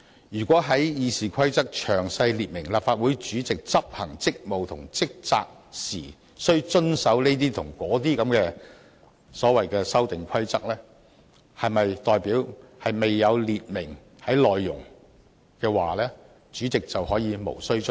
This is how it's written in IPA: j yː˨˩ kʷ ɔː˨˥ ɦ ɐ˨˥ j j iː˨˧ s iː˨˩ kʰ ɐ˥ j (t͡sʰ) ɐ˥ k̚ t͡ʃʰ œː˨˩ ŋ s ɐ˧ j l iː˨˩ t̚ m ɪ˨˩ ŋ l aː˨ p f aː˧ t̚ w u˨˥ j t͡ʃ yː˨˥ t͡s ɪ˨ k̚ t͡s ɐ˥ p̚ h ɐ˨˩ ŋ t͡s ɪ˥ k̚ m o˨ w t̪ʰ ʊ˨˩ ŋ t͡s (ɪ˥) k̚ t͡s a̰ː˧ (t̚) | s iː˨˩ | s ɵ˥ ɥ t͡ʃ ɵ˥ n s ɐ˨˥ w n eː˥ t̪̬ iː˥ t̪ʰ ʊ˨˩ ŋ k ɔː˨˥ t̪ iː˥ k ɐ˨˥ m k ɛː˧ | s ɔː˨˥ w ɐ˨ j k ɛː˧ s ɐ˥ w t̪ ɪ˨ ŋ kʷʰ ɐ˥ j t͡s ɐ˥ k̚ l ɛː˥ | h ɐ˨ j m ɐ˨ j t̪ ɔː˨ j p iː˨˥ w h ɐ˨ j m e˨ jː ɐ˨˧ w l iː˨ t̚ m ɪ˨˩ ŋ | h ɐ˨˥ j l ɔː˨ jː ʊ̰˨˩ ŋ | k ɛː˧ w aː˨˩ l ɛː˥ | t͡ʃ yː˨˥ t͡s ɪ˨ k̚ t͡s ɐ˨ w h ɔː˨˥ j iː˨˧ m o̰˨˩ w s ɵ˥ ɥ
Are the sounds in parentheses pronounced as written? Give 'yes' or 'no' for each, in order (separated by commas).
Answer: no, yes, no